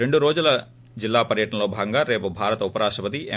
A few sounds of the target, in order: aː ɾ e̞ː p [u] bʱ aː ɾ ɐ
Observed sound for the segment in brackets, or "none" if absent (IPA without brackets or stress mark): u